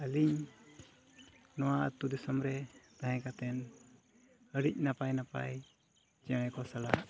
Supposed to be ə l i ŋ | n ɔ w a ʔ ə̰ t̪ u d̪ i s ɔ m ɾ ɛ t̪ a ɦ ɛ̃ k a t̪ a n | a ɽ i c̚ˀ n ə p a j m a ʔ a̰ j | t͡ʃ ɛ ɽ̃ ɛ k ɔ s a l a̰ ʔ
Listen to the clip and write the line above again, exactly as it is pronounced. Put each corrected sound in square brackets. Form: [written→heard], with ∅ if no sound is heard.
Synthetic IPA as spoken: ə l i [ŋ→ɲ] | n ɔ w a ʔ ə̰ t̪ u d̪ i s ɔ m ɾ ɛ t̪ a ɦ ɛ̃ k a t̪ [a→ɛ] n | [a→ə] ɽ i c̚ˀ n [ə→a] p a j [m→n] a [ʔ→p] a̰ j | t͡ʃ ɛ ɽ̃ ɛ k ɔ s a l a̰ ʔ